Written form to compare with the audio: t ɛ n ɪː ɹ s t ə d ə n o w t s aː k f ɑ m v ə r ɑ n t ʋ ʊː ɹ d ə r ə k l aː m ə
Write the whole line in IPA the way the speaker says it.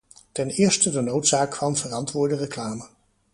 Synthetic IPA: t ɛ n ɪː ɹ s t ə d ə n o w t s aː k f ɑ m v ə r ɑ n t ʋ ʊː ɹ d ə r ə k l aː m ə